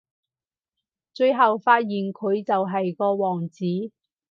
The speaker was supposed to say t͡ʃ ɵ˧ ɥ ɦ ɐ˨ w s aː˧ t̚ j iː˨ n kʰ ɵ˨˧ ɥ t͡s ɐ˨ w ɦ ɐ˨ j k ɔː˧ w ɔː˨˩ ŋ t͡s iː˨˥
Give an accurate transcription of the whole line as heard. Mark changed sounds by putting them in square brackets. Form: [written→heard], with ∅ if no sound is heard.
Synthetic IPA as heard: t͡ʃ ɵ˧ ɥ ɦ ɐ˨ w [s→f] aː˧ t̚ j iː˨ n kʰ ɵ˨˧ ɥ t͡s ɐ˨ w ɦ ɐ˨ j k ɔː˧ w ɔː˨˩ ŋ t͡s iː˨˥

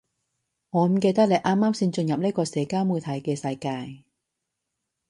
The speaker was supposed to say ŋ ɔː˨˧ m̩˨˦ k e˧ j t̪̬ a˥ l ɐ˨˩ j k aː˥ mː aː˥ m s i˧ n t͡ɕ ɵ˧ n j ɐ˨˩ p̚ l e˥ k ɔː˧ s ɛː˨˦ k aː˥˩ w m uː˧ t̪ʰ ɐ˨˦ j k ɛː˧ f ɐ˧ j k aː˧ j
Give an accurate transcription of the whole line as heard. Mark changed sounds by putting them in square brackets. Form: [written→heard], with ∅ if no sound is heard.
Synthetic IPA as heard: ŋ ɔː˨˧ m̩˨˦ k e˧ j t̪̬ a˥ l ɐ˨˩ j [k→ʔ] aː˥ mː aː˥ m s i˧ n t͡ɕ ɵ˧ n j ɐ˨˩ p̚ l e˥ k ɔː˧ s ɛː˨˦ k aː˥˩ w m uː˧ t̪ʰ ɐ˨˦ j k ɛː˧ [f→s] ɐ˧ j k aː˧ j

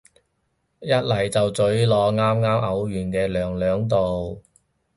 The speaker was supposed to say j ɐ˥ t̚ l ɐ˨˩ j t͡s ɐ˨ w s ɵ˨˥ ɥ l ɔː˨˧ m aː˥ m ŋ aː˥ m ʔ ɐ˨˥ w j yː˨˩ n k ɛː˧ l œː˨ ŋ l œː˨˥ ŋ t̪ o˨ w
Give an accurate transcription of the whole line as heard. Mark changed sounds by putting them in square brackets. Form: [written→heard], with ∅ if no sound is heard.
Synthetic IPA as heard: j ɐ˥ t̚ l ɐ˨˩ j t͡s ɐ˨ w [s→t͡s] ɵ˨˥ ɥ l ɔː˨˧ [m→ŋ] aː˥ m ŋ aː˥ m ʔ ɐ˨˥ w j yː˨˩ n k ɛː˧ l œː˨ ŋ l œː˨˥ ŋ t̪ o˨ w

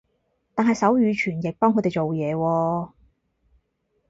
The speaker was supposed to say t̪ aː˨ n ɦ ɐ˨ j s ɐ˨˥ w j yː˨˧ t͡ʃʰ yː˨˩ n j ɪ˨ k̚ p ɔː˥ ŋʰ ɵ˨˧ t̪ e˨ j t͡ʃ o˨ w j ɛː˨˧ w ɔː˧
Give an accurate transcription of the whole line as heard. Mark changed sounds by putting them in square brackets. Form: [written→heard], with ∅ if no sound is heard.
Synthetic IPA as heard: t̪ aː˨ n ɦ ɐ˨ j s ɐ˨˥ w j yː˨˧ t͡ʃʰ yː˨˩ n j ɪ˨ k̚ p ɔː˥ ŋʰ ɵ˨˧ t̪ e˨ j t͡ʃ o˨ w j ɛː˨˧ w ɔː˧

